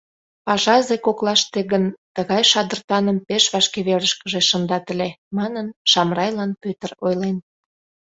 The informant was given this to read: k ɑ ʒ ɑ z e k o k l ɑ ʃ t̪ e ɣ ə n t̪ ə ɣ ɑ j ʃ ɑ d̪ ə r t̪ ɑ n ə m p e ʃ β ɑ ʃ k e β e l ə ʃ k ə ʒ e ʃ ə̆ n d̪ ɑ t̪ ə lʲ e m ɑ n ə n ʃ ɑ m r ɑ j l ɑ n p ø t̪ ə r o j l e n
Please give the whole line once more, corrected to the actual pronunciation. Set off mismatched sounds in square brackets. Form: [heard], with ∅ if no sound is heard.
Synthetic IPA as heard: [p] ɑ ʒ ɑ z e k o k l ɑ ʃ t̪ e ɣ ə n t̪ ə ɣ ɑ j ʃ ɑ d̪ ə r t̪ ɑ n ə m p e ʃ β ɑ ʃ k e β e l ə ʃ k ə ʒ e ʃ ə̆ n d̪ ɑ t̪ ə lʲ e m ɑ n ə n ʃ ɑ m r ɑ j l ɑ n p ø t̪ ə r o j l e n